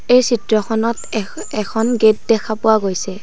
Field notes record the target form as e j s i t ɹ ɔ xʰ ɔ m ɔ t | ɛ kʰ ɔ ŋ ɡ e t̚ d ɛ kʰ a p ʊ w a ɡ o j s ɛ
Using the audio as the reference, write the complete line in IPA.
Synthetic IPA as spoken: e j s i t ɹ ɔ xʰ ɔ n ɔ t | ɛ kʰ ɔ n ɡ e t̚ d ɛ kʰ a p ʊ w a ɡ o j s ɛ

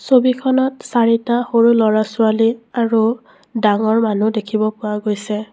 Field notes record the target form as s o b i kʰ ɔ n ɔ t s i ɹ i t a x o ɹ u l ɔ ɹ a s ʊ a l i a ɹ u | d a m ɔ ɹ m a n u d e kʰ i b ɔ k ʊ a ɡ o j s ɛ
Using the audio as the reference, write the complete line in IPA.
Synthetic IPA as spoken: s o b i kʰ ɔ n ɔ t s a ɹ i t a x o ɹ u l ɔ ɹ a s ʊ a l i a ɹ u | d a ŋ ɔ ɹ m a n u d e kʰ i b ɔ p ʊ a ɡ o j s ɛ

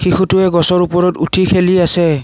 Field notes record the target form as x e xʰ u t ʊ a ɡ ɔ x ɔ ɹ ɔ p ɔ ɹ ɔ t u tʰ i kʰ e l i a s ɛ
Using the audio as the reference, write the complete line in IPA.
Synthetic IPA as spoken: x i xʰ u t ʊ ɛ ɡ ɔ s ɔ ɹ u p ɔ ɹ ɔ t u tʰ i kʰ e l i a s ɛ

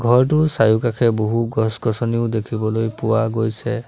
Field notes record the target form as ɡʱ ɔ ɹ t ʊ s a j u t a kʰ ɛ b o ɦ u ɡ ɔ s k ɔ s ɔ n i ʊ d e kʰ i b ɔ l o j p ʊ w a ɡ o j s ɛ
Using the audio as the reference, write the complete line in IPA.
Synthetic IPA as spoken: ɡʱ ɔ ɹ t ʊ s a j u k a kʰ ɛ b o ɦ u ɡ ɔ s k ɔ s ɔ n i ʊ d e kʰ i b ɔ l o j p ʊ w a ɡ o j s ɛ

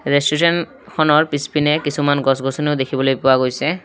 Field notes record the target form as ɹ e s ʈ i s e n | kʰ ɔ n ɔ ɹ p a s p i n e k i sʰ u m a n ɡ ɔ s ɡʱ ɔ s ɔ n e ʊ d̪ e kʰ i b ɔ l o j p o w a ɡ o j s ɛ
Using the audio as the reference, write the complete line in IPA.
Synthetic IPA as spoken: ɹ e s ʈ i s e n | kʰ ɔ n ɔ ɹ p i s p i n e k i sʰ u m a n ɡ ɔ s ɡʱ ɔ s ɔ n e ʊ d̪ e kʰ i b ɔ l o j p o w a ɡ o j s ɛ

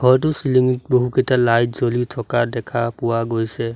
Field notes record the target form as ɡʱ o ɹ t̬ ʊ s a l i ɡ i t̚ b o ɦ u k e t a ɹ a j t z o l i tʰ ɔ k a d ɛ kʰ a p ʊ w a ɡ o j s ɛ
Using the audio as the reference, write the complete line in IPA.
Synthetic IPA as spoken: ɡʱ ɔ ɹ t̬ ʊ s i l i ŋ i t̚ b o ɦ u k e t a l a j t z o l i tʰ ɔ k a d ɛ kʰ a p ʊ w a ɡ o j s ɛ

